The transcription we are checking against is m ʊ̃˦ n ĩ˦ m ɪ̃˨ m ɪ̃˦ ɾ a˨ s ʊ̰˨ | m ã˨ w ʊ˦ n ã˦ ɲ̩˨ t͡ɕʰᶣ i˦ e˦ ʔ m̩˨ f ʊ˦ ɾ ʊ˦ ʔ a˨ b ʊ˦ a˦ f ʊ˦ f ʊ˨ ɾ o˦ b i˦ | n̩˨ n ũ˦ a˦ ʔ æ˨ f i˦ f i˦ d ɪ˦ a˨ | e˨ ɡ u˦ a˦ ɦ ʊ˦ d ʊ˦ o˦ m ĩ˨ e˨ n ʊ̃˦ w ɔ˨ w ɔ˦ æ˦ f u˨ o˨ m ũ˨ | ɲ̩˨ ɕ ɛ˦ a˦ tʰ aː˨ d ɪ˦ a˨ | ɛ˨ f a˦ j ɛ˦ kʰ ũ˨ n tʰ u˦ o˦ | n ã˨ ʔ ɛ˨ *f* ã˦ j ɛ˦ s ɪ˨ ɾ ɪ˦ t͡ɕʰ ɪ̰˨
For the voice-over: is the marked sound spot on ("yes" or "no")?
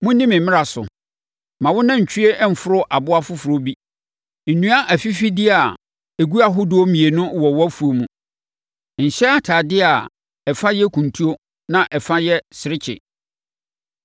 yes